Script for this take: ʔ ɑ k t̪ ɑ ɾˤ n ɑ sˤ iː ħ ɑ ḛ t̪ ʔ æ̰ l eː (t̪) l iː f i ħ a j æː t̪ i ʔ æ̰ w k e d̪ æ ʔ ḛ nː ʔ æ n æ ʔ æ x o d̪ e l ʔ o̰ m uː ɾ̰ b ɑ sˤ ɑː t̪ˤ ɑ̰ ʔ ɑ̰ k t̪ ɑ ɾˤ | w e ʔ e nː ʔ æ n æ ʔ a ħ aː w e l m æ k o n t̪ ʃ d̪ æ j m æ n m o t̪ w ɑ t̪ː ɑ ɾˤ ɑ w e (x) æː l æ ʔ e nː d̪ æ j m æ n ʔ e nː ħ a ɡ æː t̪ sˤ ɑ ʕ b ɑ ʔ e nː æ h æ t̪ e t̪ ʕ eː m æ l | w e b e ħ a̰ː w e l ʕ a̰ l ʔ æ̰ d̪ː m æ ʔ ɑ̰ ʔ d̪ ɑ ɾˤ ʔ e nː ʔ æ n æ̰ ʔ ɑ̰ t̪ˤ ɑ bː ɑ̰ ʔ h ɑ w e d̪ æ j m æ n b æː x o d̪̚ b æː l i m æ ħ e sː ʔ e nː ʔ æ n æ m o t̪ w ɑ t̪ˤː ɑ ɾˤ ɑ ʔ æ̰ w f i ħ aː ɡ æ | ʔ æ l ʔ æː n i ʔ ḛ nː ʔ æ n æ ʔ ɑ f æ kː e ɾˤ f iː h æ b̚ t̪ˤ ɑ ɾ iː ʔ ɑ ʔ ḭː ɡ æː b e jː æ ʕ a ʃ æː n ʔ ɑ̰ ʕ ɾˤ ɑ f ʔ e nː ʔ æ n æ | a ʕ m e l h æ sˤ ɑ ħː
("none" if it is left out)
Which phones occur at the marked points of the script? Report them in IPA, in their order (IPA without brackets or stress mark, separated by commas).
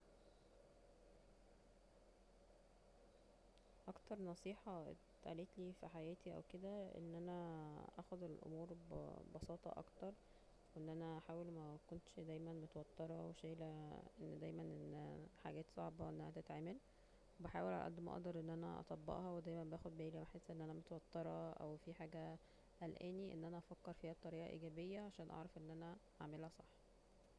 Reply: t̪, ʃ